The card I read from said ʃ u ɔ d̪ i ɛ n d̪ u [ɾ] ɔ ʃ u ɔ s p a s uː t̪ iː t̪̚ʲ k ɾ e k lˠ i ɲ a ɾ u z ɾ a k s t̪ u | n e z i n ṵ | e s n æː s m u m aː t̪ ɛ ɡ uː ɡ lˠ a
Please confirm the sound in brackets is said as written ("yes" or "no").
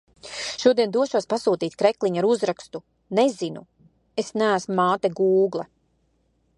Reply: no